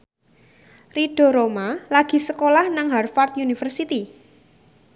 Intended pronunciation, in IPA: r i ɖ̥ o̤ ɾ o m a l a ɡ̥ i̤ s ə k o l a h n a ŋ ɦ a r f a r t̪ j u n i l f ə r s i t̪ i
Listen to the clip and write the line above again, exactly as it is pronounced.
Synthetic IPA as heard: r i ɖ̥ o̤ ɾ o m a l a ɡ̥ i̤ s ə k o l a h n a ŋ ɦ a r f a r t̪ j u n i f ə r s i t̪ i